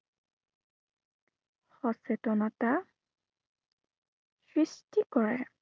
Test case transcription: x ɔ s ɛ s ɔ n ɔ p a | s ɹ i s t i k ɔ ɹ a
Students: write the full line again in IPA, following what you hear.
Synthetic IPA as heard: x ɔ s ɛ t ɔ n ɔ t a | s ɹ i s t i k ɔ ɹ ɛ

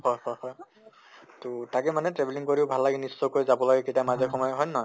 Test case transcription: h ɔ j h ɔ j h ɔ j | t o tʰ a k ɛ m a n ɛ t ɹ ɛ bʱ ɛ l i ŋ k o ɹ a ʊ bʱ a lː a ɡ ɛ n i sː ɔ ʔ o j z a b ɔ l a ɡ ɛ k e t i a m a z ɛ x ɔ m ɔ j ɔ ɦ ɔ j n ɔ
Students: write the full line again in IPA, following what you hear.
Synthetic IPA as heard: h ɔ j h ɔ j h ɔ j | t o t a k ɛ m a n ɛ t ɹ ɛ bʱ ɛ l i ŋ k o ɹ i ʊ bʱ a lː a ɡ ɛ n i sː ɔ k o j z a b ɔ l a ɡ ɛ k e t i a m a z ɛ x ɔ m ɔ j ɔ ɦ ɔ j n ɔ

